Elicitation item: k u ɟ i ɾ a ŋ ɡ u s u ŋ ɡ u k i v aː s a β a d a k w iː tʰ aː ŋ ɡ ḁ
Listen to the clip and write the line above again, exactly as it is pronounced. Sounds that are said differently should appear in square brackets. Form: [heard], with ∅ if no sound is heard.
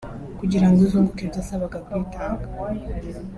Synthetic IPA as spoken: k u ɟ i ɾ a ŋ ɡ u [z] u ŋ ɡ u k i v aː s a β a [ɡ] a k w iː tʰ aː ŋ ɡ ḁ